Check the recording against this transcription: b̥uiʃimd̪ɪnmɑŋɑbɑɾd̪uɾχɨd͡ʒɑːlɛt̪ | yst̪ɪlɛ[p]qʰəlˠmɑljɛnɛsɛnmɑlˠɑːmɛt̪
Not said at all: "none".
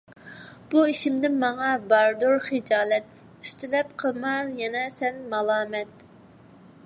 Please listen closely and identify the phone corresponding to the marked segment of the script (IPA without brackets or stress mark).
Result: p